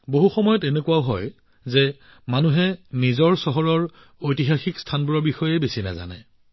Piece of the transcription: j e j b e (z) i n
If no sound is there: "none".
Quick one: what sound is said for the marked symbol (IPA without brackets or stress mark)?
s